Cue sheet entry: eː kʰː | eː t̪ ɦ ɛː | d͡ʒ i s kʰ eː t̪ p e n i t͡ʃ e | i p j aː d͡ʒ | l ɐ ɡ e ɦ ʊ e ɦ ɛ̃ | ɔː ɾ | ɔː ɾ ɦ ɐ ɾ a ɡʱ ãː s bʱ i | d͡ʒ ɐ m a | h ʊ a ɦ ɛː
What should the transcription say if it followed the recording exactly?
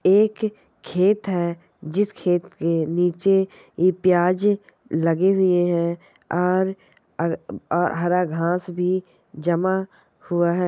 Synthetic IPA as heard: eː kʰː | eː t̪ ɦ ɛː | d͡ʒ ɪ s kʰ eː t̪ k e n iː t͡ʃ e | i p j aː d͡ʒ | l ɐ ɡ e ɦ ʊ e ɦ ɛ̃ | ɔː ɾ | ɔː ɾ ɦ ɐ ɾ a ɡʱ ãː s bʱ i | d͡ʒ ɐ m a | h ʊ a ɦ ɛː